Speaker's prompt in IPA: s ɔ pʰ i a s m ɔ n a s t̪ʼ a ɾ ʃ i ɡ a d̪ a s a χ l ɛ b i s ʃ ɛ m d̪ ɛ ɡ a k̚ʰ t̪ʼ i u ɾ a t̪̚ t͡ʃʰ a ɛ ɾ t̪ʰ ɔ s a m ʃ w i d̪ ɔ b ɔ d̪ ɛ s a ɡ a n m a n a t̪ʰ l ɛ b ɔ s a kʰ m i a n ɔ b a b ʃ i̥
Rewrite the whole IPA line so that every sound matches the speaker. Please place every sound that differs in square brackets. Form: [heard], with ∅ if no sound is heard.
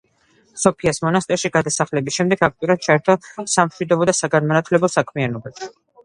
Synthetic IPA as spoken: s ɔ pʰ i a s m ɔ n a s t̪ʼ [ɛ] ɾ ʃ i ɡ a d̪ a s a χ l ɛ b i s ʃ ɛ m d̪ ɛ ɡ a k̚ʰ t̪ʼ i u ɾ a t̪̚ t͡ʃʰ a ɛ ɾ t̪ʰ ɔ s a m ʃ w i d̪ ɔ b ɔ d̪ [a] s a ɡ a n m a n a t̪ʰ l ɛ b ɔ s a kʰ m i a n ɔ b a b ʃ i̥